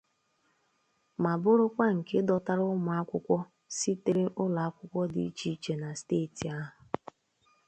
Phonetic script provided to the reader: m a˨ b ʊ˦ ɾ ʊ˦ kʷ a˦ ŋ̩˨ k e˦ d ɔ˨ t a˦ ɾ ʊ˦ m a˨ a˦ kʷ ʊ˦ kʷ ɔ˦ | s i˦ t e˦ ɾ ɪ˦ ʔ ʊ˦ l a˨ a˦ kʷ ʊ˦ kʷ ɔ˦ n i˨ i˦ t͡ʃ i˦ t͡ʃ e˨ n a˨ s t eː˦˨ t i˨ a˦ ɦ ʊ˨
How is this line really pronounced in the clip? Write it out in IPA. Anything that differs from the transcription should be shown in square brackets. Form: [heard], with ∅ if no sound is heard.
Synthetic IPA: m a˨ b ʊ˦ ɾ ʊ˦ kʷ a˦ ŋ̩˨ k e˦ d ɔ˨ t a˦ ɾ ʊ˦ m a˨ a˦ kʷ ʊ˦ kʷ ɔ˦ | s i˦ t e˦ ɾ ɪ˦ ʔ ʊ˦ l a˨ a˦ kʷ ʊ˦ kʷ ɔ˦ [d] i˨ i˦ t͡ʃ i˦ t͡ʃ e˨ n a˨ s t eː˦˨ t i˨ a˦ ɦ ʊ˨